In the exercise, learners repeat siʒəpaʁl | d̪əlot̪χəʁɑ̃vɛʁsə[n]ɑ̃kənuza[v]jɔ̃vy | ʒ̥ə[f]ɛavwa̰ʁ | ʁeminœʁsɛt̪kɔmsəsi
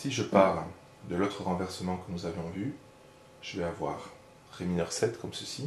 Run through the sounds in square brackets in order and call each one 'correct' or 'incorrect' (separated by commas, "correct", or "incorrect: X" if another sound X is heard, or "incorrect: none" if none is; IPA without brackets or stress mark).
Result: incorrect: m, correct, incorrect: v